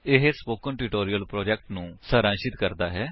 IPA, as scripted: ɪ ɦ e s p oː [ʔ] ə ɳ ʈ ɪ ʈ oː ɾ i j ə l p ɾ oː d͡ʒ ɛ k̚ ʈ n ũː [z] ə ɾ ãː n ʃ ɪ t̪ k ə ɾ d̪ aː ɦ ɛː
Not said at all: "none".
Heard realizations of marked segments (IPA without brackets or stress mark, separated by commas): k, s